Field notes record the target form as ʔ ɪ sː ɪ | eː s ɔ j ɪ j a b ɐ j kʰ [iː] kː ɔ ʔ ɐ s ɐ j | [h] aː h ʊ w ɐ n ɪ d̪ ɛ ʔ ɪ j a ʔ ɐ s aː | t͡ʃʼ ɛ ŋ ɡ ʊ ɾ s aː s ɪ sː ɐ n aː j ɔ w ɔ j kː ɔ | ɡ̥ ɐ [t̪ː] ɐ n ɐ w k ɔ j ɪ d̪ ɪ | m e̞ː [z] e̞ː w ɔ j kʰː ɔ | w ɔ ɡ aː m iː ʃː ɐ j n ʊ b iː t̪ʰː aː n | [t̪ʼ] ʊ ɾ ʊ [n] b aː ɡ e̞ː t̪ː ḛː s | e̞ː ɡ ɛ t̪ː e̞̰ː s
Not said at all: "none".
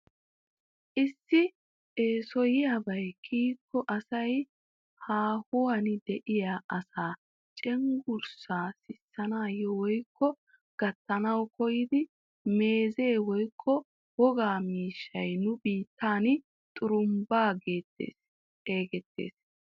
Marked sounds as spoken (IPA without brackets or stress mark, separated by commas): iː, h, t̪ː, z, t̪ʼ, m